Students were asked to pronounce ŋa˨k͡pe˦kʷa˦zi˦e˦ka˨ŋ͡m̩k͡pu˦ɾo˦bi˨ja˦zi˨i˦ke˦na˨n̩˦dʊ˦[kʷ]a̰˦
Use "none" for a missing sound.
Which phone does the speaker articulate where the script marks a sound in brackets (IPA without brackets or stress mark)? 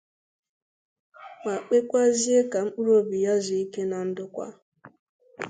kʷ